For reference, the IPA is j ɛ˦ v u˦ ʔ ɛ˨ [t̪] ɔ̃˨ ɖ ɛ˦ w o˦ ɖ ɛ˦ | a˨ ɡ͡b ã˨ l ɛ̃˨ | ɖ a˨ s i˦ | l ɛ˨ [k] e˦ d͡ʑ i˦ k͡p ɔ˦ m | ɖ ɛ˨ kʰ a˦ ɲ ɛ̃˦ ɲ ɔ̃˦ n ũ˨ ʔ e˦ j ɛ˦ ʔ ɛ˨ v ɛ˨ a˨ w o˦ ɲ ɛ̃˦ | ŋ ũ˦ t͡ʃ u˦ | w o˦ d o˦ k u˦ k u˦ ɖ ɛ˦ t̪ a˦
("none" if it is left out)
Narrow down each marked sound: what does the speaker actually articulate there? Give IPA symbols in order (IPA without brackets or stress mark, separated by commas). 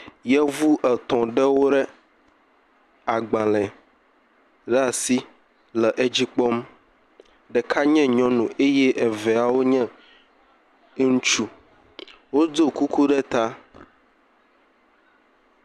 t̪, ʔ